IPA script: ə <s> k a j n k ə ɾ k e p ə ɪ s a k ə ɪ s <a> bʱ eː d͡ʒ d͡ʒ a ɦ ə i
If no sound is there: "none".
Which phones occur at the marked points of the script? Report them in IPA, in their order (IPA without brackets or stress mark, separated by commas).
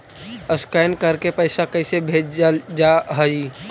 s, e